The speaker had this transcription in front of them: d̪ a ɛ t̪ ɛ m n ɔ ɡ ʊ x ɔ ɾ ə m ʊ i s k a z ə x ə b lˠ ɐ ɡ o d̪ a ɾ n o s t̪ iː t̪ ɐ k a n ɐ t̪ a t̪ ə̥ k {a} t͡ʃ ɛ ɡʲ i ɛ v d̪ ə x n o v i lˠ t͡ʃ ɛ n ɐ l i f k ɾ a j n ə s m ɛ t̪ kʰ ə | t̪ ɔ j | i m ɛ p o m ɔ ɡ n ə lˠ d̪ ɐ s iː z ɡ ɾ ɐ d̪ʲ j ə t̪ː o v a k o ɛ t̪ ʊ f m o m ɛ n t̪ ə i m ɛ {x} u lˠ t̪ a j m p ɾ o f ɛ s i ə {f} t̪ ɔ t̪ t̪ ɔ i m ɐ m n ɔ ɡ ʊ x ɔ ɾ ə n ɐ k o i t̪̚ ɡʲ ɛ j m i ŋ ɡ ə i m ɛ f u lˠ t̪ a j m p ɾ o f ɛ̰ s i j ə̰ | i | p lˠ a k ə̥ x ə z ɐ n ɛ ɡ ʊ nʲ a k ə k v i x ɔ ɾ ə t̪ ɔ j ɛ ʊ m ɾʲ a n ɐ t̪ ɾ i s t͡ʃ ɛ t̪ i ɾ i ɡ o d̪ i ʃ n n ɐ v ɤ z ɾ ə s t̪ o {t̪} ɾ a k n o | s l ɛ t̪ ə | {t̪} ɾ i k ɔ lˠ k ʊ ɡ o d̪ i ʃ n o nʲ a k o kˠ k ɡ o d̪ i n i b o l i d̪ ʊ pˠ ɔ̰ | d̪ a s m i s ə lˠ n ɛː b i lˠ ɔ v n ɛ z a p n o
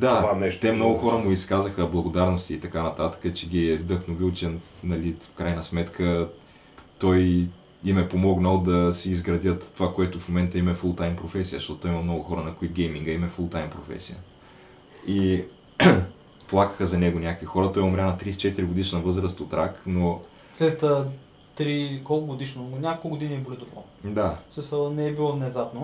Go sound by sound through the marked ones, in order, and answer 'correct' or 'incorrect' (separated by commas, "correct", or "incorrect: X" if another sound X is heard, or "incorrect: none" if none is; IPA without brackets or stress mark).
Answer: incorrect: ə, incorrect: f, incorrect: ʃ, correct, correct